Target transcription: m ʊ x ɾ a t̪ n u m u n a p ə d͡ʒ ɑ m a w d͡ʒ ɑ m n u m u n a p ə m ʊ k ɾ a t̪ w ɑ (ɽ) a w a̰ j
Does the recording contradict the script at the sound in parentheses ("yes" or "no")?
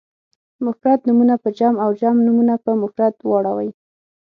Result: no